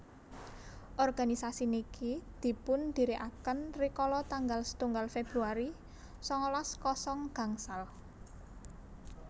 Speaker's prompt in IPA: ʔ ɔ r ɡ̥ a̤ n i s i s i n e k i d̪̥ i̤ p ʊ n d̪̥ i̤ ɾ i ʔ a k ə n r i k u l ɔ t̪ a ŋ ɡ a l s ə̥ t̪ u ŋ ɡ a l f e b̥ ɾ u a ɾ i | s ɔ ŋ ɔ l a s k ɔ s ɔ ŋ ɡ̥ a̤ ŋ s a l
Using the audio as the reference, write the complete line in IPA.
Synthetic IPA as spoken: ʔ ɔ r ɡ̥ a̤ n i s a s i n i k i d̪̥ i̤ p ʊ n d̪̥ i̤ ɾ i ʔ a k ə n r i k ɔ l ɔ t̪ a ŋ ɡ a l s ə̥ t̪ u ŋ ɡ a l f e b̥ ɾ u a ɾ i | s ɔ ŋ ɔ l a s k ɔ s ɔ ŋ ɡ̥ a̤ ŋ s a l